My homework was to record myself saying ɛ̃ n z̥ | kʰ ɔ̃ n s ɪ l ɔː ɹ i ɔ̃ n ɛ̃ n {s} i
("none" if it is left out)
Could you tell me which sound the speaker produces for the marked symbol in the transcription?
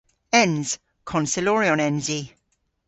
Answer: z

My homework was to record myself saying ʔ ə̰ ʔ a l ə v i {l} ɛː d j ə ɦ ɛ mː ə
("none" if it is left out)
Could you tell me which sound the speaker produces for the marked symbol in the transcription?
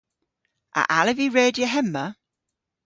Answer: ɹ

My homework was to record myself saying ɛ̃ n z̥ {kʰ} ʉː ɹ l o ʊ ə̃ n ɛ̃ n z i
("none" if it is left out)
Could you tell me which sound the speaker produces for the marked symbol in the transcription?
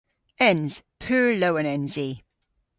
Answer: pʰ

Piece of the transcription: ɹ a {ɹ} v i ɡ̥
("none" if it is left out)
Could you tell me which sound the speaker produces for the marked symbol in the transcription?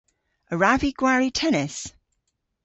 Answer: none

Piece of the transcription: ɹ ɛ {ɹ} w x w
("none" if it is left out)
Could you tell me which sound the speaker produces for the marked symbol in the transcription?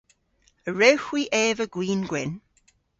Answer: none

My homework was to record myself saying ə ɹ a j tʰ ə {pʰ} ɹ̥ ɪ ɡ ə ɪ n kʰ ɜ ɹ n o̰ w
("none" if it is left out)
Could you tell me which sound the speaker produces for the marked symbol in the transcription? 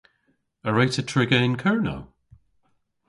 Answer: tʰ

